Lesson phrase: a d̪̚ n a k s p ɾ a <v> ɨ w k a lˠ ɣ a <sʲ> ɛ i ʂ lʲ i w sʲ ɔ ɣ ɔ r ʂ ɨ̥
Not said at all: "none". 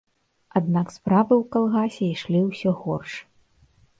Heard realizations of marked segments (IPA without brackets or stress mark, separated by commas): v, sʲ